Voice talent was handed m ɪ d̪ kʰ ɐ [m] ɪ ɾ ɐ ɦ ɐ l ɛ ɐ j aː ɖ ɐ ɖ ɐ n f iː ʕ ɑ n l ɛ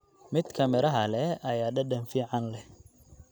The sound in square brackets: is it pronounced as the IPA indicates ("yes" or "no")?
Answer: yes